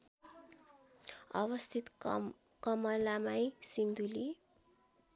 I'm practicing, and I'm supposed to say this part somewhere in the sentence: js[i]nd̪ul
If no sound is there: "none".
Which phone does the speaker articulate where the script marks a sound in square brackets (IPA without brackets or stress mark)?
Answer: i